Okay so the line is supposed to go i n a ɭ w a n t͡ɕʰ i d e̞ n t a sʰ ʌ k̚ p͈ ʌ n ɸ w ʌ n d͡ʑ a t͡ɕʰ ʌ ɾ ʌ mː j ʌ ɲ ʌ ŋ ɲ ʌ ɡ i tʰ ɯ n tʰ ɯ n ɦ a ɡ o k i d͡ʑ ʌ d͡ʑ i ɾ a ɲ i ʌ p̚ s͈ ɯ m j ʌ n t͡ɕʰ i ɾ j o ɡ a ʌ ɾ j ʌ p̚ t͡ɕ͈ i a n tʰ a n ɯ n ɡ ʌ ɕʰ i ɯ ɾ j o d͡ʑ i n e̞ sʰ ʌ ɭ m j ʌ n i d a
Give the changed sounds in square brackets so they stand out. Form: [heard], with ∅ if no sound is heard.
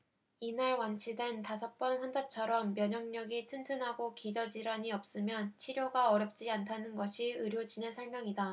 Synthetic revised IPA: i n a ɭ w a n t͡ɕʰ i d e̞ n t a sʰ ʌ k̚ p͈ ʌ n ɸ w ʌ n d͡ʑ a t͡ɕʰ ʌ ɾ ʌ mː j ʌ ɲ ʌ ŋ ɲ ʌ ɡ i tʰ ɯ n tʰ ɯ n ɦ a ɡ o k i d͡ʑ ʌ d͡ʑ i ɾ a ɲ i ʌ p̚ s͈ ɯ m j ʌ n t͡ɕʰ i ɾ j o ɡ a ʌ ɾ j ʌ p̚ t͡ɕ͈ i a n tʰ a n ɯ n ɡ ʌ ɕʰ i ɯ ɾ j o d͡ʑ i n e̞ sʰ ʌ ɭ m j ʌ [ŋ] i d a